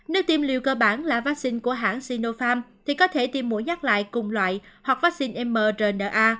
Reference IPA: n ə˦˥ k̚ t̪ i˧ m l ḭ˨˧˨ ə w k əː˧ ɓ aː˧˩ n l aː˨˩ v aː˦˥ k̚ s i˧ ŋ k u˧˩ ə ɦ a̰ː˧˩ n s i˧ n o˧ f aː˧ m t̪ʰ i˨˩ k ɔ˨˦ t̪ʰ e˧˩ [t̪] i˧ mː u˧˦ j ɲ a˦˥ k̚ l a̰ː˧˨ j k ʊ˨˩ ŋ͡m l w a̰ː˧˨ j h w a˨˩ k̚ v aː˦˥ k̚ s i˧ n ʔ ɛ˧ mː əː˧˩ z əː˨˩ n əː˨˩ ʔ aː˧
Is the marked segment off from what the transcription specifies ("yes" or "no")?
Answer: no